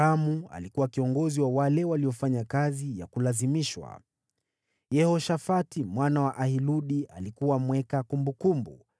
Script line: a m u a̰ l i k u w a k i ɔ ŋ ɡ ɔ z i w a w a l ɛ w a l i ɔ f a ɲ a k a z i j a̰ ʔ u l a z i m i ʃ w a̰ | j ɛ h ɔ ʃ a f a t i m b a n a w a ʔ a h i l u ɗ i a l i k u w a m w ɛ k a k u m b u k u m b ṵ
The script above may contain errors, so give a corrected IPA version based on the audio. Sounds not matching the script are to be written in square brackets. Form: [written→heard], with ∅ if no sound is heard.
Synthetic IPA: a m u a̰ l i k u w a k i ɔ ŋ ɡ ɔ z i w a w a l ɛ w a l i ɔ f a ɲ a k a z i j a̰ [ʔ→k] u l a z i m i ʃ w a̰ | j ɛ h ɔ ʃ a f a t i m [b→w] a n a w a ʔ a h i l u ɗ i a l i k u w a m w ɛ k a k u m b u k u m b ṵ

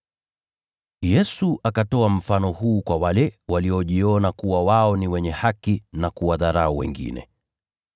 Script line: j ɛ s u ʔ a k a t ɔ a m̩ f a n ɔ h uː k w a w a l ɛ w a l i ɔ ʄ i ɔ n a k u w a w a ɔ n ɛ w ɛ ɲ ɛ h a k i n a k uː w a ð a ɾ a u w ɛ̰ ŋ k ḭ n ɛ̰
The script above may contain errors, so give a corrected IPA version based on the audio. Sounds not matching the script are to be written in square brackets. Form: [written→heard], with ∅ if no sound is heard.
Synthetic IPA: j ɛ s u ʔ a k a t ɔ a m̩ f a n ɔ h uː k w a w a l ɛ w a l i ɔ ʄ i ɔ n a k u w a w a ɔ n [ɛ→i] w ɛ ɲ ɛ h a k i n a k [uː→u] w a ð a ɾ a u w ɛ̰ ŋ [k→ɡ] ḭ n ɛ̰

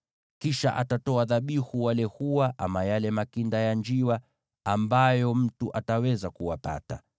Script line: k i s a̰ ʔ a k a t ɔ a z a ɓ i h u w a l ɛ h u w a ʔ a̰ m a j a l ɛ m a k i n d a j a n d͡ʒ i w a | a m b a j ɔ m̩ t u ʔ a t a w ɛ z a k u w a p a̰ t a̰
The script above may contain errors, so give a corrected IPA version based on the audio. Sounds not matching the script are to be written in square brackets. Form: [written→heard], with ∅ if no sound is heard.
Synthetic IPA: k i [s→ʃ] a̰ ʔ a [k→t] a t ɔ a [z→ð] a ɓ i h u w a l ɛ h u w a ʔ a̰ m a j a l ɛ m a k i n d a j a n d͡ʒ i w a | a m b a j ɔ m̩ t u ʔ a t a w ɛ z a k u w a p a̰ t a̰

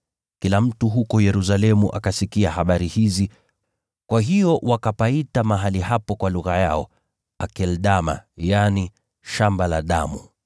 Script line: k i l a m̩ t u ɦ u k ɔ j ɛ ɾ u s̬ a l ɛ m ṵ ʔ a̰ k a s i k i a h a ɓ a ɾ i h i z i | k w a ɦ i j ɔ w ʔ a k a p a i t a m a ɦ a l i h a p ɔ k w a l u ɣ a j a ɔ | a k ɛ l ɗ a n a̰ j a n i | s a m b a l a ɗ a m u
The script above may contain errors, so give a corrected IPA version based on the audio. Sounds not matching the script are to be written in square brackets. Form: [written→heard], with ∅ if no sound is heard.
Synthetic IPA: k i l a m̩ t u ɦ u k ɔ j ɛ ɾ u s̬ a l ɛ m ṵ ʔ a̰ k a s i k i a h a ɓ a ɾ i h i z i | k w a ɦ i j ɔ w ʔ a k a p a i t a m a ɦ a l i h a p ɔ k w a l u ɣ a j a ɔ | a k ɛ l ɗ a [n→m] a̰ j a n i | [s→ʃ] a m b a l a ɗ a m u

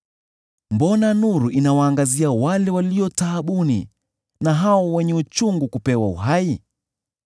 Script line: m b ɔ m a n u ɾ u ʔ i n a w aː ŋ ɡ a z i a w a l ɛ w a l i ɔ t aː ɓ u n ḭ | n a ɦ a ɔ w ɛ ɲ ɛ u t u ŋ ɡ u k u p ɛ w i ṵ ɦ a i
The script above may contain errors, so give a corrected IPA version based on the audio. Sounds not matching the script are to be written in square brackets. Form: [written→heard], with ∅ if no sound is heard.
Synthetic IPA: m b ɔ [m→n] a n u ɾ u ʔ i n a w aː ŋ ɡ a z i a w a l ɛ w a l i ɔ t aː ɓ u n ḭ | n a ɦ a ɔ w ɛ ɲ ɛ u [t→t͡ʃ] u ŋ ɡ u k u p ɛ w [i→a] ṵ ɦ a i

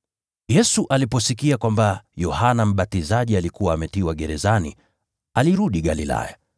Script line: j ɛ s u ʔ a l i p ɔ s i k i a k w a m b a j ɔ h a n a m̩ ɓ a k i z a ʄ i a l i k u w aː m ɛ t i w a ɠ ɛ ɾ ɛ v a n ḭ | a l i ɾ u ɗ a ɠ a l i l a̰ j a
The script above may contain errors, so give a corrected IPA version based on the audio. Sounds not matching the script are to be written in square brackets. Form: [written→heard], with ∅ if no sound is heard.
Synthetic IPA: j ɛ s u ʔ a l i p ɔ s i k i a k w a m b a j ɔ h a n a m̩ ɓ a [k→t] i z a ʄ i a l i k u w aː m ɛ t i w a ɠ ɛ ɾ ɛ [v→z] a n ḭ | a l i ɾ u ɗ [a→i] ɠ a l i l a̰ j a

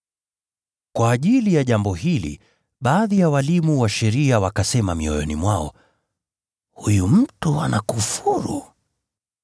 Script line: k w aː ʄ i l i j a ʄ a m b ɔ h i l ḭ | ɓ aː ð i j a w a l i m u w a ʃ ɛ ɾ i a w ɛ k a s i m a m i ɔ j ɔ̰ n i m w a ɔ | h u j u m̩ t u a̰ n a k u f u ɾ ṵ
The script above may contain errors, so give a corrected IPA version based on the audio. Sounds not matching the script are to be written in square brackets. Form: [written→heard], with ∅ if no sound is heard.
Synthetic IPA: k w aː ʄ i l i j a ʄ a m b ɔ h i l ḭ | ɓ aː ð i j a w a l i m u w a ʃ ɛ ɾ i a w [ɛ→a] k a s [i→ɛ] m a m i ɔ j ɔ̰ n i m w a ɔ | h u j u m̩ t u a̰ n a k u f u ɾ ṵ

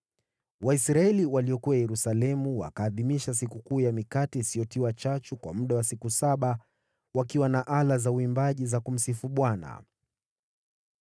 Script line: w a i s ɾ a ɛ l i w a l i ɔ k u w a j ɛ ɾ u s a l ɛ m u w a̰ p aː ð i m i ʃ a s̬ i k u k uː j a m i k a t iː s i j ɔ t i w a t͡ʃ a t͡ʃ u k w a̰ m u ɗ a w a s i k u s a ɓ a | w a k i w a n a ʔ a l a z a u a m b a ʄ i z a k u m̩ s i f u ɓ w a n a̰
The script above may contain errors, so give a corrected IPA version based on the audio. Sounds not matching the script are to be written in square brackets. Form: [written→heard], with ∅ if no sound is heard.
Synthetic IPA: w a i s ɾ a ɛ l i w a l i ɔ k u w a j ɛ ɾ u s a l ɛ m u w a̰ [p→k] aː ð i m i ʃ a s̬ i k u k uː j a m i k a t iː s i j ɔ t i w a t͡ʃ a t͡ʃ u k w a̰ m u ɗ a w a s i k u s a ɓ a | w a k i w a n a ʔ a l a z a u [a→i] m b a ʄ i z a k u m̩ s i f u ɓ w a n a̰

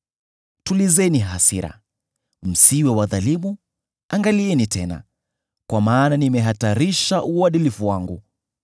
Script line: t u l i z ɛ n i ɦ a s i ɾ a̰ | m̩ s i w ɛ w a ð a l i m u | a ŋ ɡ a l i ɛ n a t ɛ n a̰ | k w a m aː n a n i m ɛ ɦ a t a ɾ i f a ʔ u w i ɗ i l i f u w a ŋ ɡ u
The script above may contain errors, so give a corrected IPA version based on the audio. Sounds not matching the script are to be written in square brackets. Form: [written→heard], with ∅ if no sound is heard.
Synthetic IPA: t u l i z ɛ n i ɦ a s i ɾ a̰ | m̩ s i w ɛ w a ð a l i m u | a ŋ ɡ a l i ɛ n [a→i] t ɛ n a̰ | k w a m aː n a n i m ɛ ɦ a t a ɾ i [f→ʃ] a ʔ u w [i→a] ɗ i l i f u w a ŋ ɡ u

